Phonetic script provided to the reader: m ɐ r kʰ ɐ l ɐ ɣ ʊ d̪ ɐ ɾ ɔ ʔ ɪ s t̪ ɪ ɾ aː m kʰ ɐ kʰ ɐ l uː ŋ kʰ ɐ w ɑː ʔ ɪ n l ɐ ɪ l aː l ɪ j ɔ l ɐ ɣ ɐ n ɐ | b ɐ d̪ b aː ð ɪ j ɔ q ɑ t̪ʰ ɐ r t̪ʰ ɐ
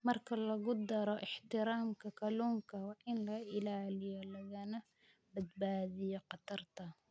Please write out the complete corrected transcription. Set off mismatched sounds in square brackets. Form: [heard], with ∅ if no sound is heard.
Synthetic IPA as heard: m ɐ r kʰ ɐ l ɐ ɣ ʊ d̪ ɐ ɾ ɔ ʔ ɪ [ħ] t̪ ɪ ɾ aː m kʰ ɐ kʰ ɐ l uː ŋ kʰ ɐ w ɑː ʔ ɪ n l ɐ ɪ l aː l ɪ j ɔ l ɐ ɣ ɐ n ɐ | b ɐ d̪ b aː ð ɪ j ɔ q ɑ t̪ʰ ɐ r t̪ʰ ɐ